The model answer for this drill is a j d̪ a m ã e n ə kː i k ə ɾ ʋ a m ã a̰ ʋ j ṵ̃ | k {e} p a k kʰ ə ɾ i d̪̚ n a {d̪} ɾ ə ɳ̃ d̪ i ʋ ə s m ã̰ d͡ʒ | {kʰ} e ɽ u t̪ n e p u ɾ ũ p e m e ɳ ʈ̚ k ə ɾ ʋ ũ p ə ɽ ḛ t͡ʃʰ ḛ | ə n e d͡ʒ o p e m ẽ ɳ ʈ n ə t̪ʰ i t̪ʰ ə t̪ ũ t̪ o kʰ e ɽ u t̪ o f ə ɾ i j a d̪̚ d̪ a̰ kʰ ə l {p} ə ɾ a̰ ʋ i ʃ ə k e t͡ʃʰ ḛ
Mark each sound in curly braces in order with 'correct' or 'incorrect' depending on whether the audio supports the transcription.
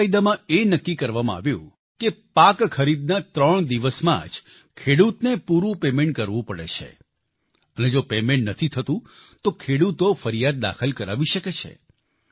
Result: correct, incorrect, correct, incorrect

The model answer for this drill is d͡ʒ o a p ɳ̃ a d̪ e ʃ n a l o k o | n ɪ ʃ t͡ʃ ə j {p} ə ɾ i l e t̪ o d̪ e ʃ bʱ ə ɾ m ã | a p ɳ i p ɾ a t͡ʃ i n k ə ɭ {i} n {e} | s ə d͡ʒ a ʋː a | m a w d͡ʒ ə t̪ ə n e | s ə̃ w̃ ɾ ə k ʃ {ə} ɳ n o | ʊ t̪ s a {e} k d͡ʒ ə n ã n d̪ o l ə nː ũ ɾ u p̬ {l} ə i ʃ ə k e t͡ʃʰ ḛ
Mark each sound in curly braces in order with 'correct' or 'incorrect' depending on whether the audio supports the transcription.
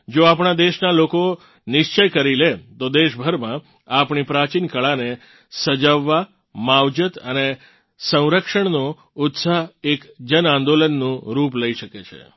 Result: incorrect, incorrect, correct, correct, correct, correct

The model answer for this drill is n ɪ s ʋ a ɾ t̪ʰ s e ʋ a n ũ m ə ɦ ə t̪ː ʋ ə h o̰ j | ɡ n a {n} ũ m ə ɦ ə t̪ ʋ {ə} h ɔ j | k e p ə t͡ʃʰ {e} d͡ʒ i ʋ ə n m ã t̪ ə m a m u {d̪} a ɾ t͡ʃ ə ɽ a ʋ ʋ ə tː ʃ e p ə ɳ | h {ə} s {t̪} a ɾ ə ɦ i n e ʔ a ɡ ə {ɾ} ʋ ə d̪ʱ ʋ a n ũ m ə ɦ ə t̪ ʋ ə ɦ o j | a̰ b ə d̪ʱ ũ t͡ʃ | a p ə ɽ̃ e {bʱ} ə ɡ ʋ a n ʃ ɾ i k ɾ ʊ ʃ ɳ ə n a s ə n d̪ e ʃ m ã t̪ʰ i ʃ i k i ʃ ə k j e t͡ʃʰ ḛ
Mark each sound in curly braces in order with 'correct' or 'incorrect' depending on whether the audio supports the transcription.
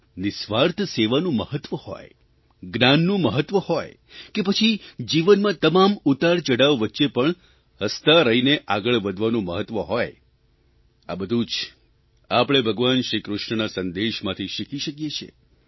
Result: incorrect, correct, incorrect, incorrect, correct, correct, incorrect, correct

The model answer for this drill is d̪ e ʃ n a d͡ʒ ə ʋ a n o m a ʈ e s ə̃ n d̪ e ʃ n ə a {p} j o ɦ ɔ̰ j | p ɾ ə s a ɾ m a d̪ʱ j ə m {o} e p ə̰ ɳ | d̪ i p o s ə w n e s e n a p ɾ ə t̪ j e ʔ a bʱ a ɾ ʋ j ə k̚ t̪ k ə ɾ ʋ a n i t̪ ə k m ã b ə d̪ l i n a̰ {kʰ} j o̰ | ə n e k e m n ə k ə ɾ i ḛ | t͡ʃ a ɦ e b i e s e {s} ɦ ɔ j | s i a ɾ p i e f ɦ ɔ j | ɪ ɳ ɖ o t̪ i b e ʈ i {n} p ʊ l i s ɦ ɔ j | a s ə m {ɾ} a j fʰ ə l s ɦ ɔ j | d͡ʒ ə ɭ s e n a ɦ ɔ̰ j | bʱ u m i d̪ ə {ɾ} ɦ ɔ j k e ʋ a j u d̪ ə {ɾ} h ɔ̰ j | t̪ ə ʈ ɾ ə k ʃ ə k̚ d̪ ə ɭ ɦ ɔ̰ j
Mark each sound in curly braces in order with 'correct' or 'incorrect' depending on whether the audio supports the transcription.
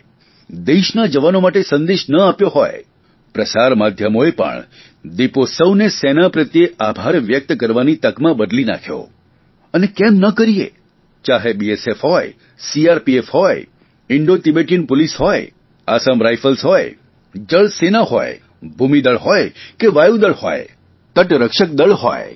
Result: correct, correct, correct, incorrect, correct, correct, incorrect, incorrect

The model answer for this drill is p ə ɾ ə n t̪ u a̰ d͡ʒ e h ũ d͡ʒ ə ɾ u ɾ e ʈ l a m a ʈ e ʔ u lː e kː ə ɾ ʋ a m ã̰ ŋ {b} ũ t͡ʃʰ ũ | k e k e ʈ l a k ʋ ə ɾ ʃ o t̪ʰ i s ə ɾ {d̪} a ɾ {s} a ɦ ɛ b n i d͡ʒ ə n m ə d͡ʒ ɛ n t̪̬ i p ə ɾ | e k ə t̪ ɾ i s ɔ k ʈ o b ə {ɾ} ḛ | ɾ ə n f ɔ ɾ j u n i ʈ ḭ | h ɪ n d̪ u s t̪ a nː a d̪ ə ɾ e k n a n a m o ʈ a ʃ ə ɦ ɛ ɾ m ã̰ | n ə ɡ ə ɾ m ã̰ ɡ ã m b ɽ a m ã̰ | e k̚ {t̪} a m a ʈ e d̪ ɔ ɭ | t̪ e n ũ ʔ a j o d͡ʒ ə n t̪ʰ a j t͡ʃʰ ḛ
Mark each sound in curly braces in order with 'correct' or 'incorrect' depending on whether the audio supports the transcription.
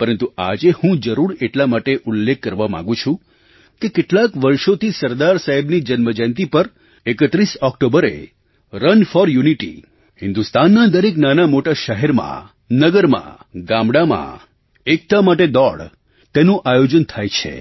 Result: incorrect, correct, correct, correct, correct

